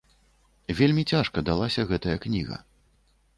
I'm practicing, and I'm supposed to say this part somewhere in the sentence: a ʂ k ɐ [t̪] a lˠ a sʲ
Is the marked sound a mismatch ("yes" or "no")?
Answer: yes